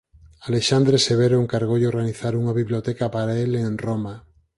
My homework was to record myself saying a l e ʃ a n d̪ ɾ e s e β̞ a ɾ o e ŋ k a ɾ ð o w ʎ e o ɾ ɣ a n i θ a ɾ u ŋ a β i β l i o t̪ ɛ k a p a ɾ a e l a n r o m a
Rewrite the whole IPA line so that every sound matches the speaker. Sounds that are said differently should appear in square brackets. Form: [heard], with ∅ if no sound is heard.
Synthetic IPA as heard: a l e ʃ a n d̪ ɾ e s e β̞ [e] ɾ o e ŋ k a ɾ [ɣ] o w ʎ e o ɾ ɣ a n i θ a ɾ u ŋ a β i β l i o t̪ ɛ k a p a ɾ a e l [e] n r o m a